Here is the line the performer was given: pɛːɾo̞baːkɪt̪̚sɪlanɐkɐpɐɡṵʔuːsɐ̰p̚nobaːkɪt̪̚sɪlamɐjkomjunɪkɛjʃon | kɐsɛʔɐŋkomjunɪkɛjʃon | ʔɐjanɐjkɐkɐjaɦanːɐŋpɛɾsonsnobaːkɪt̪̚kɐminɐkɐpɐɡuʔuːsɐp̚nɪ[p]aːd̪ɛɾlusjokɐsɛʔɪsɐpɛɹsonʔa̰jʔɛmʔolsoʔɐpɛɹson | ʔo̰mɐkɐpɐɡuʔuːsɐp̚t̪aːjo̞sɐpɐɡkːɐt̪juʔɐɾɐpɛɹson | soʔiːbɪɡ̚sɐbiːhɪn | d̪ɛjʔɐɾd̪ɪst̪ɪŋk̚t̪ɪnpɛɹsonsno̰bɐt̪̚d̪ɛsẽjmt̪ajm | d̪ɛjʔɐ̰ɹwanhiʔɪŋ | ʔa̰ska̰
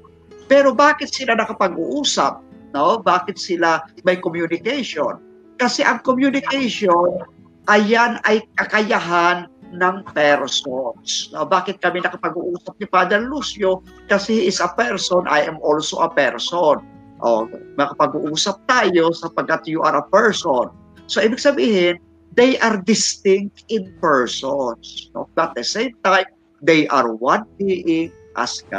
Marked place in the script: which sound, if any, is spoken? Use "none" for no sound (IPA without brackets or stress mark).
p